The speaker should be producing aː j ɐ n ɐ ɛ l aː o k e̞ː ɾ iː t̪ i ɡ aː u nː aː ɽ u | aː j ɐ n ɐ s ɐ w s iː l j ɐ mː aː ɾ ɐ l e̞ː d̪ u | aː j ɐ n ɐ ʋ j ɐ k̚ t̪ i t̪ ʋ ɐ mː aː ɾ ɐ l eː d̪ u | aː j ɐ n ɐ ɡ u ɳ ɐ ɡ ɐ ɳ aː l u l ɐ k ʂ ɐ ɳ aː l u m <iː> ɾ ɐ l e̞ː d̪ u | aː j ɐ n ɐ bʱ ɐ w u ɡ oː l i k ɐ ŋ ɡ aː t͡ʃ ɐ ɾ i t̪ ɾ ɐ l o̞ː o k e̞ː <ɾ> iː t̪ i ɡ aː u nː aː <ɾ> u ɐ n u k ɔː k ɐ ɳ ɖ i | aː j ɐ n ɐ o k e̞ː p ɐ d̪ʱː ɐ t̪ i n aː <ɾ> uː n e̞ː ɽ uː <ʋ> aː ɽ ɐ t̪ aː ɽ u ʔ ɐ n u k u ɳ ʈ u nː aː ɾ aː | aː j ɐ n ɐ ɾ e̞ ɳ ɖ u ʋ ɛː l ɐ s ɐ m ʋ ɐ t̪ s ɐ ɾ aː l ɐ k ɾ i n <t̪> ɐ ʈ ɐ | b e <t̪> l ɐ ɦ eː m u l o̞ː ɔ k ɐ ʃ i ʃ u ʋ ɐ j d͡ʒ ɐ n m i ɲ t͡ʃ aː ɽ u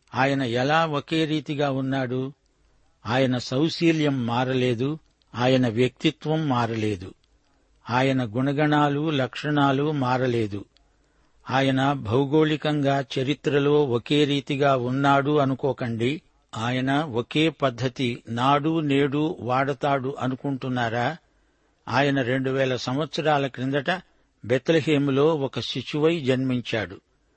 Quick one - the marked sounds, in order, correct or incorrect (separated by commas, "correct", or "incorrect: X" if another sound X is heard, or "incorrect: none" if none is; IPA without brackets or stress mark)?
incorrect: aː, correct, incorrect: ɽ, incorrect: ɽ, correct, incorrect: d̪, correct